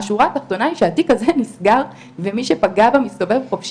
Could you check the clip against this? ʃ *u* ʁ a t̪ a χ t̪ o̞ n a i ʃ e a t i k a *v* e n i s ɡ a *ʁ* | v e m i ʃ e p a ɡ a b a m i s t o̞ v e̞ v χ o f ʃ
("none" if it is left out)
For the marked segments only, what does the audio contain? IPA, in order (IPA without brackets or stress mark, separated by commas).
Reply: u, z, ʁ